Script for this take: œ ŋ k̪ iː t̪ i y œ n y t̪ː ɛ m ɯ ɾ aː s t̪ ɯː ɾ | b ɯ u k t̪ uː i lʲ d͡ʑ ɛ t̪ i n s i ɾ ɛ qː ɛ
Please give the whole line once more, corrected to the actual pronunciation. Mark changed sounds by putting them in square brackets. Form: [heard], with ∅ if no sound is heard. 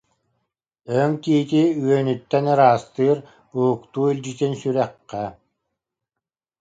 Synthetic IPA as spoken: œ ŋ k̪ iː t̪ i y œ n y t̪ː ɛ [n] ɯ ɾ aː s t̪ ɯː ɾ | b [u] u k t̪ uː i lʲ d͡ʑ [i] t̪ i n s [y] ɾ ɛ qː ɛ